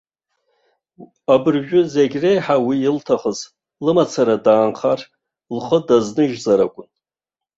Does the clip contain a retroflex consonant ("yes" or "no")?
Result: no